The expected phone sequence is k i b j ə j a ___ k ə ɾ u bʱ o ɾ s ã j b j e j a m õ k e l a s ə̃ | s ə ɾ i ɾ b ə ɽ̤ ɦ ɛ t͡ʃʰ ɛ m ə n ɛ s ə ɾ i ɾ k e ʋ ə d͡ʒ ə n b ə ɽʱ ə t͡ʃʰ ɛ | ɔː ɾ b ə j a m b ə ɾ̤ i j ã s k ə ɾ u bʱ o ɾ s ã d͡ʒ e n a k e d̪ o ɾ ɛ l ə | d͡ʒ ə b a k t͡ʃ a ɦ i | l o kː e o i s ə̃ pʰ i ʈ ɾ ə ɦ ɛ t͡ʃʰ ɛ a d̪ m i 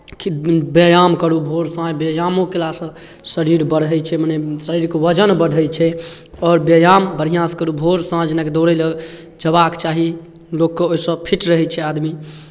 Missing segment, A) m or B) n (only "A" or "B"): A